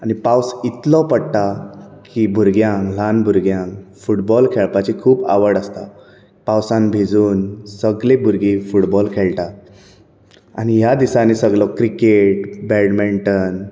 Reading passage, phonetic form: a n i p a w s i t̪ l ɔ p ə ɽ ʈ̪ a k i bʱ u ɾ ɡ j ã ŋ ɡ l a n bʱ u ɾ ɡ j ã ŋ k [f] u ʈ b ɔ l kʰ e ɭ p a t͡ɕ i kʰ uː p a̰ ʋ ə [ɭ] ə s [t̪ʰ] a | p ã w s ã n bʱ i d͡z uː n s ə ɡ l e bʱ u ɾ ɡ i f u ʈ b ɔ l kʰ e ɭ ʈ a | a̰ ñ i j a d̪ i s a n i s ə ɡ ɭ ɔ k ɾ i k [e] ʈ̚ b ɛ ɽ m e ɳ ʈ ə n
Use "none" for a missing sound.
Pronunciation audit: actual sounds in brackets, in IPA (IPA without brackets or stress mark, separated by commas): f, ɽ, t̪, e